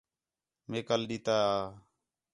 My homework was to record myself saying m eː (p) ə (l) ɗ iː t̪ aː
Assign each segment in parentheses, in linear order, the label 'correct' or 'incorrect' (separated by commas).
incorrect, correct